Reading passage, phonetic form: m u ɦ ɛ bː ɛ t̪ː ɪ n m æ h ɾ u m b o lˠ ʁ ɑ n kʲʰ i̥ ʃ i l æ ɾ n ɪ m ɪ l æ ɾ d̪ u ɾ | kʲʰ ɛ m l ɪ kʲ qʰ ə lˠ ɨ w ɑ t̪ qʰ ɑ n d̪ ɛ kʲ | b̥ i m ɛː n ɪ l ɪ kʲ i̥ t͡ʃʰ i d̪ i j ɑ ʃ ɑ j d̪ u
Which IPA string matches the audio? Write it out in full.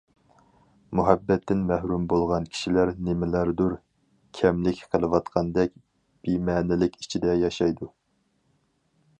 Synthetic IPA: m u ɦ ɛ bː ɛ t̪ː ɪ n m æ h ɾ u m b o lˠ ʁ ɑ n kʲʰ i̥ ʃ i l æ ɾ n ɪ m ɪ l æ ɾ d̪ u ɾ | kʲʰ ɛ m l ɪ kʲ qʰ ə lˠ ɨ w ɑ t̪ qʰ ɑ n d̪ ɛ kʲ | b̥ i m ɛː n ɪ l ɪ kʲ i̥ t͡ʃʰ i d̪ ɛ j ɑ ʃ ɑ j d̪ u